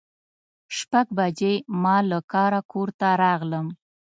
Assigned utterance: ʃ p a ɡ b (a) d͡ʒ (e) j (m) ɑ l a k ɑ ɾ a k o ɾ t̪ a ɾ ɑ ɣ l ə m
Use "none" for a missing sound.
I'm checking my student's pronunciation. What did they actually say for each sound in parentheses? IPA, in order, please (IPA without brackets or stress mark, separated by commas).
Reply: a, e, m